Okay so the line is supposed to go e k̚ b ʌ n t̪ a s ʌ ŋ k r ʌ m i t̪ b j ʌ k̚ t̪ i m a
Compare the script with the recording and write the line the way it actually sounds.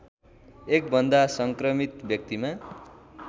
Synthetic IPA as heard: e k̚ b ʌ n d̪ a s ʌ ŋ k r ʌ m i t̪ b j ʌ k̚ t̪ i m a

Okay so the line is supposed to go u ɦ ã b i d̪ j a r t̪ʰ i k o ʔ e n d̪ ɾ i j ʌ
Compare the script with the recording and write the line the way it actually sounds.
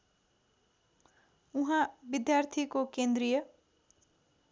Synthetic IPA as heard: u ɦ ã b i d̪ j a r t̪ʰ i k o k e n d̪ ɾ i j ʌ

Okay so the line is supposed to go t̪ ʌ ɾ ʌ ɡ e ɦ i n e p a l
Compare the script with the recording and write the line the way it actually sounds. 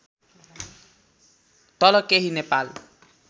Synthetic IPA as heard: t̪ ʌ l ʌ k e ɦ i n e p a l

